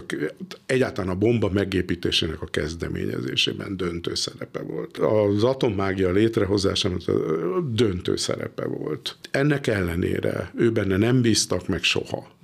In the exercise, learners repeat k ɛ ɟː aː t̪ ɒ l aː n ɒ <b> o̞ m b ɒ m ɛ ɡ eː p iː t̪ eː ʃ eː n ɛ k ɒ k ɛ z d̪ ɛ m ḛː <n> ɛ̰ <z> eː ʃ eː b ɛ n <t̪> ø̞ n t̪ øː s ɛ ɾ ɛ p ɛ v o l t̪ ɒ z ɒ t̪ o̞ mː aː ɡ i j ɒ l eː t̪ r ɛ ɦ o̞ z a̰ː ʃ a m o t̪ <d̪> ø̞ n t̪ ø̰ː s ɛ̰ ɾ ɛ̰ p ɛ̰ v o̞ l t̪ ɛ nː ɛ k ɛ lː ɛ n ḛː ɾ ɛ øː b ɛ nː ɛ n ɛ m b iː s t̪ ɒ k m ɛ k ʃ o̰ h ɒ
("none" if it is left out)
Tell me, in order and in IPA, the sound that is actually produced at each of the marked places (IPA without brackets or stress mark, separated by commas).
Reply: b, ɲ, z, d̪, d̪